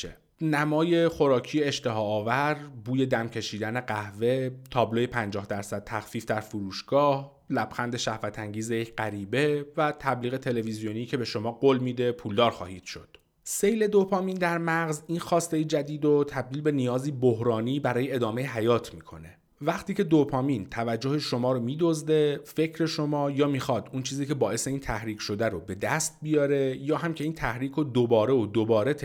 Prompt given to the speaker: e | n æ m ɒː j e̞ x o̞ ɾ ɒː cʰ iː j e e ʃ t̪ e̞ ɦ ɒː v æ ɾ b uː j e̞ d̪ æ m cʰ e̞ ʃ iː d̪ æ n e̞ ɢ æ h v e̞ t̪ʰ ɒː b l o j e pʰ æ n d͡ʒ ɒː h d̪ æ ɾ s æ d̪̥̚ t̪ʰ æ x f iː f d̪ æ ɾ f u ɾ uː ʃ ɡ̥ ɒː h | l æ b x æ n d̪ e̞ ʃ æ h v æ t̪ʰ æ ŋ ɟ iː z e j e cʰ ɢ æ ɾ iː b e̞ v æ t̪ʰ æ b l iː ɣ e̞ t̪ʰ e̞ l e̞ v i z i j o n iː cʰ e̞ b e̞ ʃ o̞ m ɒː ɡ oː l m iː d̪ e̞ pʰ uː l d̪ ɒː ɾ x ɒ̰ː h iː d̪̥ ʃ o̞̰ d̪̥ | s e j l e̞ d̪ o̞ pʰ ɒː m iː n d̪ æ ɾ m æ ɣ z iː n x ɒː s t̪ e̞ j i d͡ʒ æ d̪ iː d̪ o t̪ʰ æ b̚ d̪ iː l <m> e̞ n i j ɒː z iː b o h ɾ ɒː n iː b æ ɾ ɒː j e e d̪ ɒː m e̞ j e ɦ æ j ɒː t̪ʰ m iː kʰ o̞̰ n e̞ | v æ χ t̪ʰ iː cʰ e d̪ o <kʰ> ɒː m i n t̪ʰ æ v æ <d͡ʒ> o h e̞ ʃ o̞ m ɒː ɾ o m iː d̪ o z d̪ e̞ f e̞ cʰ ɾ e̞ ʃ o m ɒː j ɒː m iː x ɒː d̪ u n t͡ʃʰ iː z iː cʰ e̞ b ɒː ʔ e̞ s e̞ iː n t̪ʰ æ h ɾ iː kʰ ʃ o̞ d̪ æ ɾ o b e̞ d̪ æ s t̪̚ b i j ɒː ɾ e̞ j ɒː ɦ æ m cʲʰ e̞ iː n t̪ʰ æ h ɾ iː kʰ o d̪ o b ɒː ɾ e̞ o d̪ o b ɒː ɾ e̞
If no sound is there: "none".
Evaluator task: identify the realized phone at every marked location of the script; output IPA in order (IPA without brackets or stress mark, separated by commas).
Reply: b, pʰ, d͡ʒː